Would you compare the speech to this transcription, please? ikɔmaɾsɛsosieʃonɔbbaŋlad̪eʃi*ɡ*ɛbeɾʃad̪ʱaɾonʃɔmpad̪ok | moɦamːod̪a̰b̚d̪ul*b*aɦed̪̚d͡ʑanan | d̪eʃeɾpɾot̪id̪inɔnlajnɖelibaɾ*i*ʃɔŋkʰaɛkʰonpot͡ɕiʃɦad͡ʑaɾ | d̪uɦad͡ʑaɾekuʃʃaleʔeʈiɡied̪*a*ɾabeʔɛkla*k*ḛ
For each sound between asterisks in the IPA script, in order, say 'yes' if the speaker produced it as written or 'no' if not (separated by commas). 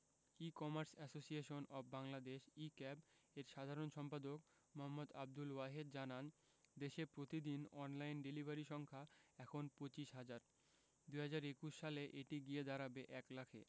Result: no, no, yes, yes, no